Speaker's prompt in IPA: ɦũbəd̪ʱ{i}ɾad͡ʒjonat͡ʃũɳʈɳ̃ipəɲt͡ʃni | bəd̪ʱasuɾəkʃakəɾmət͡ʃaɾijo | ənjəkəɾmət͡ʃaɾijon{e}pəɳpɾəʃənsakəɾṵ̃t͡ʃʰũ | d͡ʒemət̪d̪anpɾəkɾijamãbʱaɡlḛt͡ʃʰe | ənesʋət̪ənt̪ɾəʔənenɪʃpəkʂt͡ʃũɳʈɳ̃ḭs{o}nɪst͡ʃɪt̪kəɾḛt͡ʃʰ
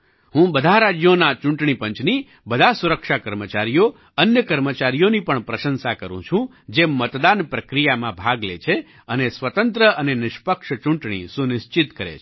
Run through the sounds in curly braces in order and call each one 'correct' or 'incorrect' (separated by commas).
incorrect, incorrect, incorrect